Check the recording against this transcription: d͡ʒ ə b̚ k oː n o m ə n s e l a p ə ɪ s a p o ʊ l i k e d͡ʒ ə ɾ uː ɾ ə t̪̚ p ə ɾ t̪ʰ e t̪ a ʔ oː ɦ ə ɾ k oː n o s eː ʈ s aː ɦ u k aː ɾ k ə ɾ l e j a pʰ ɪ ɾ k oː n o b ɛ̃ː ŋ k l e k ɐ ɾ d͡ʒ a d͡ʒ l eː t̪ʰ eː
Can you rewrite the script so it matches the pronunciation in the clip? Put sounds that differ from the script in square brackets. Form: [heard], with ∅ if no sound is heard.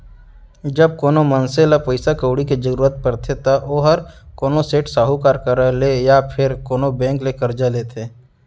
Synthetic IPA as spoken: d͡ʒ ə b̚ k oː n o m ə n s e l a p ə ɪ s a [k] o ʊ [ɽ] i k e d͡ʒ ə ɾ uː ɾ ə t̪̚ p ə ɾ t̪ʰ e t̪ a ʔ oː ɦ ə ɾ k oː n o s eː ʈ s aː ɦ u k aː ɾ k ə ɾ l e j a pʰ ɪ ɾ k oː n o b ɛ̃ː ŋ k l e k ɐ ɾ d͡ʒ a [∅] l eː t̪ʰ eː

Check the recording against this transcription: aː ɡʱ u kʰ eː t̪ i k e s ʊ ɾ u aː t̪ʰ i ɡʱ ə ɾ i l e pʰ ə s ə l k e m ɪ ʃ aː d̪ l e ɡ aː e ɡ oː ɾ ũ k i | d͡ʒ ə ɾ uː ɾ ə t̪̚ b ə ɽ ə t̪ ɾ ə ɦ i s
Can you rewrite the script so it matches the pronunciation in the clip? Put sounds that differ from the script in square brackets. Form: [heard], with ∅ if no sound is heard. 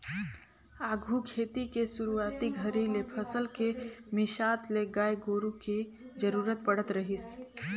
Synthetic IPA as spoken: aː ɡʱ u kʰ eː t̪ i k e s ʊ ɾ u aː [t̪] i ɡʱ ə ɾ i l e pʰ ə s ə l k e m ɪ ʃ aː [t̪] l e ɡ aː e ɡ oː ɾ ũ k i | d͡ʒ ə ɾ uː ɾ ə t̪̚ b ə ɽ ə t̪ ɾ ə ɦ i s

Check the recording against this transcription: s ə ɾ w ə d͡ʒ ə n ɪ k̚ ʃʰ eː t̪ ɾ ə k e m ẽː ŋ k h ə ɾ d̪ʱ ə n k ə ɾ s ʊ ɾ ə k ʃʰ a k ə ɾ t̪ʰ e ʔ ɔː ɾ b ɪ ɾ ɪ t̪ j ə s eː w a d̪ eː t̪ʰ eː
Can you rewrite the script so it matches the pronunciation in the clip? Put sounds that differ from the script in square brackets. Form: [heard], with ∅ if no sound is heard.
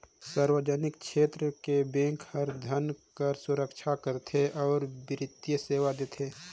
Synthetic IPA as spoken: s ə ɾ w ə d͡ʒ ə n ɪ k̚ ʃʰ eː t̪ ɾ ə k e [b] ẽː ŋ k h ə ɾ d̪ʱ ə n k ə ɾ s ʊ ɾ ə k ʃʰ a k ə ɾ t̪ʰ e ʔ ɔː ɾ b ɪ ɾ ɪ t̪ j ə s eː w a d̪ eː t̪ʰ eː

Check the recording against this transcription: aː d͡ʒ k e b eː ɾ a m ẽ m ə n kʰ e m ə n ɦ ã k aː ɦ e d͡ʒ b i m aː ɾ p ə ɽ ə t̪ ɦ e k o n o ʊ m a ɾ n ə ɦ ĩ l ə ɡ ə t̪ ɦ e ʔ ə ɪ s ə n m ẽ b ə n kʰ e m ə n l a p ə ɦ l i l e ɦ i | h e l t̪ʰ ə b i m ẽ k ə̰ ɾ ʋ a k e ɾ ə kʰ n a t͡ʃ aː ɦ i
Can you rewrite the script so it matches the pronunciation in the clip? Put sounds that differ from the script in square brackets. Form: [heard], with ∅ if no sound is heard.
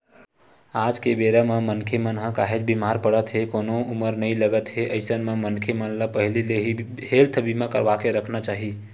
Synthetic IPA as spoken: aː d͡ʒ k e b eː ɾ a m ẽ m ə n kʰ e m ə n ɦ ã k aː ɦ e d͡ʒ b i m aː ɾ p ə ɽ ə t̪ ɦ e k o n o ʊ m [ə] ɾ n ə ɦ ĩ l ə ɡ ə t̪ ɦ e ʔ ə ɪ s ə n m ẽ [m] ə n kʰ e m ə n l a p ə ɦ l i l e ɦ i | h e l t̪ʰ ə b i m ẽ k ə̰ ɾ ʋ a k e ɾ ə kʰ n a t͡ʃ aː ɦ i

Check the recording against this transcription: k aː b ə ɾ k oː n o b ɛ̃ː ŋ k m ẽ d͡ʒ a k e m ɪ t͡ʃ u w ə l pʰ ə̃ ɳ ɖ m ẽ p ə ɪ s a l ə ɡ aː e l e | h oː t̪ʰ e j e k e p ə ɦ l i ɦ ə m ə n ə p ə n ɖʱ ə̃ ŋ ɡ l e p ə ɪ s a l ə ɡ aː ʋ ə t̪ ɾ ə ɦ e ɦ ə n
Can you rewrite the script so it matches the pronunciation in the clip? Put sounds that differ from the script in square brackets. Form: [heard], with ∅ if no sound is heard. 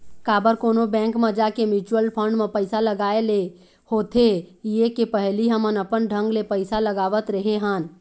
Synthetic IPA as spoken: k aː b ə ɾ k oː n o b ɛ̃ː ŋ k m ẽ d͡ʒ a k e m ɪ t͡ʃ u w ə l pʰ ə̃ ɳ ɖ m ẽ p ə ɪ s a l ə ɡ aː e l e | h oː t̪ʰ e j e k e p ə ɦ l i ɦ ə m ə n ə p ə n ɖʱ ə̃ ŋ ɡ l e p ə ɪ s a l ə ɡ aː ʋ ə t̪ ɾ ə ɦ e ɦ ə n

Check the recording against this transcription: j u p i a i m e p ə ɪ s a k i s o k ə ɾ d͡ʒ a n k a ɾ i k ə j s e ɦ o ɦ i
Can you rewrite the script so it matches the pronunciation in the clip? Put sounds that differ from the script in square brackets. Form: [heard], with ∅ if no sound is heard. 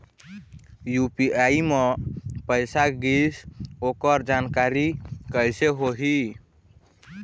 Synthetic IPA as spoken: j u p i a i m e p ə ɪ s a [ɡ] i s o k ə ɾ d͡ʒ a n k a ɾ i k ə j s e ɦ o ɦ i

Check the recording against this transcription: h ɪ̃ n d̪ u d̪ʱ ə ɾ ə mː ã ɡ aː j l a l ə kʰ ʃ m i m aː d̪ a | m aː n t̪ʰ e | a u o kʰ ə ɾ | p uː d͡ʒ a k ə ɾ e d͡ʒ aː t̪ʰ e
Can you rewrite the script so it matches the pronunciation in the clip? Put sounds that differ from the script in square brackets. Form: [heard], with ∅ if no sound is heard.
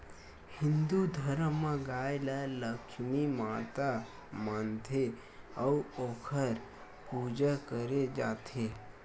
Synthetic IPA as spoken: h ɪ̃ n d̪ u d̪ʱ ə ɾ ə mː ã ɡ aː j l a l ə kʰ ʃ m i m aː [t̪] a | m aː n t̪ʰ e | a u o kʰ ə ɾ | p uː d͡ʒ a k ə ɾ e d͡ʒ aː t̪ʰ e

